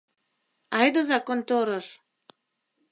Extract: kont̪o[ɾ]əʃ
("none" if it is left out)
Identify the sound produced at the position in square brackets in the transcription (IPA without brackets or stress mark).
ɾ